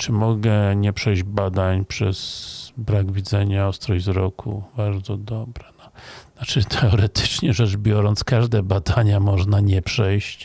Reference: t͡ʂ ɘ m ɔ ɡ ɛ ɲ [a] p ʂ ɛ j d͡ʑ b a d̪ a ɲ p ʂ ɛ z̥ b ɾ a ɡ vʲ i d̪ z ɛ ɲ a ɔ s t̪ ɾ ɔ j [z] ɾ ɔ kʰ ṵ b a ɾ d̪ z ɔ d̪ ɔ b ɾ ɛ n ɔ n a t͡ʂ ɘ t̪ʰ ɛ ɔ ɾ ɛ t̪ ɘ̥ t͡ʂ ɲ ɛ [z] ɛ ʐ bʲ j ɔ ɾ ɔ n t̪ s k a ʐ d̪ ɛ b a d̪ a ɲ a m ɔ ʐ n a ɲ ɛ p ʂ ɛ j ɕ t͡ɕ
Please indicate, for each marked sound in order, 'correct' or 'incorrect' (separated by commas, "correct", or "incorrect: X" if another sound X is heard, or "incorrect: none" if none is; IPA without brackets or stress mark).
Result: incorrect: ɛ, correct, incorrect: ʐ